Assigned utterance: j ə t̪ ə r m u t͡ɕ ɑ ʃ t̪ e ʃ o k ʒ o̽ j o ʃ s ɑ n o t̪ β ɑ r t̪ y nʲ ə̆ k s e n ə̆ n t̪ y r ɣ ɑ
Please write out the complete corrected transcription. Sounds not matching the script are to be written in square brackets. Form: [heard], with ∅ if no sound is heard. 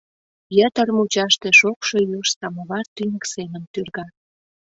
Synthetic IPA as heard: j ə t̪ ə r m u t͡ɕ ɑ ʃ t̪ e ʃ o k [ʃ] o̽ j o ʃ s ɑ [m] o [∅] β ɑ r t̪ y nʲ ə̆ k s e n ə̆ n t̪ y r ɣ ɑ